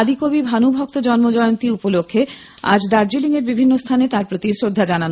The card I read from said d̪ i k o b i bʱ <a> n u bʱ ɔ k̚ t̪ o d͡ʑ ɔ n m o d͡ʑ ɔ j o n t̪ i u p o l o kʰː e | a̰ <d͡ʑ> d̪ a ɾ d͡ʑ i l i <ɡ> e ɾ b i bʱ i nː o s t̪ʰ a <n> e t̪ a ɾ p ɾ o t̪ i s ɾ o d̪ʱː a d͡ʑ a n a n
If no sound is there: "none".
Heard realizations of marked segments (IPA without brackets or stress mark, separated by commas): a, d͡ʑ, ŋ, n